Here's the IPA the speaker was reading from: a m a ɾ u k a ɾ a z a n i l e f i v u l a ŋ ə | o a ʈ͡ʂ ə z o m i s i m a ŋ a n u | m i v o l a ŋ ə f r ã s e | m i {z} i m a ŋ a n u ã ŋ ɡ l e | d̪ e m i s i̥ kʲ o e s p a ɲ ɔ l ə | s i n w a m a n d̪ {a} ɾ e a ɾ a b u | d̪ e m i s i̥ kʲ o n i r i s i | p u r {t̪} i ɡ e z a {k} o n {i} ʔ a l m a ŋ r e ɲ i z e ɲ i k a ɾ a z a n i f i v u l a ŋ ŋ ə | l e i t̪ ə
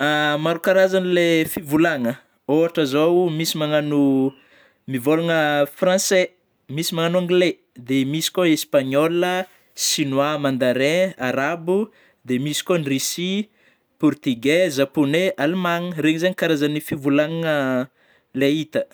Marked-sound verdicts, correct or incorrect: incorrect: s, correct, correct, incorrect: p, incorrect: e

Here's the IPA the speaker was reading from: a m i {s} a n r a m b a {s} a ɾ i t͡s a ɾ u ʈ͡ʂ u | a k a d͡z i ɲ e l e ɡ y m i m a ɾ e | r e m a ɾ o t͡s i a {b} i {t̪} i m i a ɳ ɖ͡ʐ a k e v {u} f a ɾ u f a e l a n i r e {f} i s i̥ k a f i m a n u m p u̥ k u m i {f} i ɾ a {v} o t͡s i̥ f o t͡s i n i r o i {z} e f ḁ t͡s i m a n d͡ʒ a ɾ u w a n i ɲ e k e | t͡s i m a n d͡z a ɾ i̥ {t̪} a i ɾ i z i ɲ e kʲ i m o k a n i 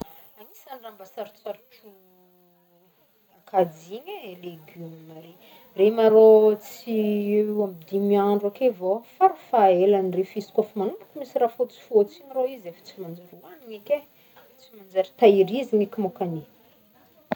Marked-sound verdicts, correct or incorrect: correct, correct, incorrect: m, incorrect: d̪, incorrect: o, correct, incorrect: s, incorrect: f, correct, correct

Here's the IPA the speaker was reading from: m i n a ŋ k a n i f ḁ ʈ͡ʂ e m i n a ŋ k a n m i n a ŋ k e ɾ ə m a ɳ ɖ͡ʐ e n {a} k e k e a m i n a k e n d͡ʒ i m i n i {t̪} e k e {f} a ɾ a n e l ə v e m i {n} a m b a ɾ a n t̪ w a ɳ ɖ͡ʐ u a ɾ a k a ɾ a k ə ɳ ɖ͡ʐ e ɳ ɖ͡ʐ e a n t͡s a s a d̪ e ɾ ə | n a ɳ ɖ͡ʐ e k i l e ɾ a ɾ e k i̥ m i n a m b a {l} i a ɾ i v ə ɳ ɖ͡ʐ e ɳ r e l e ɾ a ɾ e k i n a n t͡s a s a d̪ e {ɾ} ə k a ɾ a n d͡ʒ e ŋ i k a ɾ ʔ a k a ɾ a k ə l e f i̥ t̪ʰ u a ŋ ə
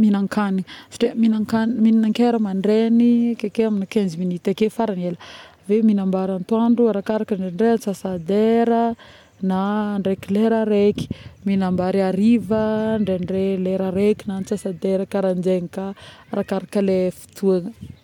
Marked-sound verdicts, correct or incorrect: incorrect: i, correct, correct, correct, incorrect: ɾ, correct

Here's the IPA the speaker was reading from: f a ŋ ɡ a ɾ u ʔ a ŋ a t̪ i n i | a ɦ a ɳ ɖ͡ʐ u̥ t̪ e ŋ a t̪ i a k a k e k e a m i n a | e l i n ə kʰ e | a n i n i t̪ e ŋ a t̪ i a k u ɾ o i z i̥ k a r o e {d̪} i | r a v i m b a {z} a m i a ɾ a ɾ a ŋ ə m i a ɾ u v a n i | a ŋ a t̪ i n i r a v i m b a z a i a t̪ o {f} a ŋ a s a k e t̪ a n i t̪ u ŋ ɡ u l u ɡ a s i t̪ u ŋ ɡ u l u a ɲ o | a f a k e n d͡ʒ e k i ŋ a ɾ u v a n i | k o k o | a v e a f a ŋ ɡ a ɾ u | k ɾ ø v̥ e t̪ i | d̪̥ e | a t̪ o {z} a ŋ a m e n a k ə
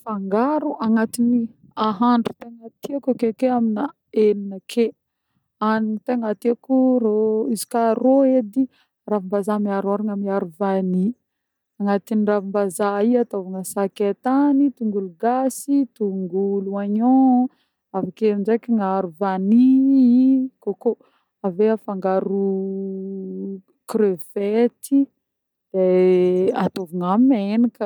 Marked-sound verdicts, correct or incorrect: correct, correct, incorrect: v, incorrect: v

